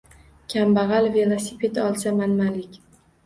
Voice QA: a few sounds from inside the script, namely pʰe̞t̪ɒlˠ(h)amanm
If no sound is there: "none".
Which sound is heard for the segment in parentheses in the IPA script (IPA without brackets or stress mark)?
s